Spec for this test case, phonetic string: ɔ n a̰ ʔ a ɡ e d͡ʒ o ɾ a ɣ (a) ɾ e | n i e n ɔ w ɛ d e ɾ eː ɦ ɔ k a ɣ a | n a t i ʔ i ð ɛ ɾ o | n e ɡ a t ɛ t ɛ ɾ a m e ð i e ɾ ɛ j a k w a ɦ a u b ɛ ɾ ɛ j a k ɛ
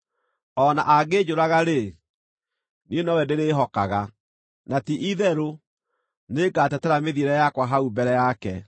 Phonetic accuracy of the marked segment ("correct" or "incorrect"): correct